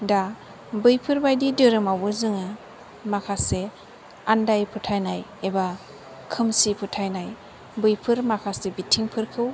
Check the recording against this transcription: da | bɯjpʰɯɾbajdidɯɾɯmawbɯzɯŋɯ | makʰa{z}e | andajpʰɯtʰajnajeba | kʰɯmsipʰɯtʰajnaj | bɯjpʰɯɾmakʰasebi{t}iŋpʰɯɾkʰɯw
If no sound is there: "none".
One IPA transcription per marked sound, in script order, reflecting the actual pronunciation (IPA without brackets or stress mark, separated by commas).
s, tʰ